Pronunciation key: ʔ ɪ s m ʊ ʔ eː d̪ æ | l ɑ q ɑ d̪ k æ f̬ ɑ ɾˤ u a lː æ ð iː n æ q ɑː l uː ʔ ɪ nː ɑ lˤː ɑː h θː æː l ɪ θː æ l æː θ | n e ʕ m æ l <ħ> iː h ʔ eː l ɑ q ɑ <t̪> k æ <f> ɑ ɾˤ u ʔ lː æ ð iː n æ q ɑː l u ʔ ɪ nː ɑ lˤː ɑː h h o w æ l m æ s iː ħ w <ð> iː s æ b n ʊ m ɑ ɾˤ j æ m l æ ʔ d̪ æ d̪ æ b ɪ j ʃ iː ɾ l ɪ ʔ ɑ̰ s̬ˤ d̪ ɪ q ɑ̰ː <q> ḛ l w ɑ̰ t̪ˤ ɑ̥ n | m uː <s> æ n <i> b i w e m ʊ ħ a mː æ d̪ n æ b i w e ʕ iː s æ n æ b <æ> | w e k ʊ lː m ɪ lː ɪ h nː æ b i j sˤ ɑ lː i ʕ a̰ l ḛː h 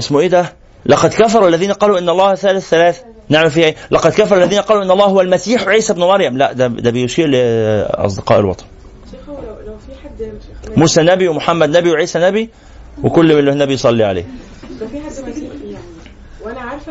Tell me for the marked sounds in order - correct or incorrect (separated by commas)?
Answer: incorrect, incorrect, correct, incorrect, incorrect, correct, incorrect, incorrect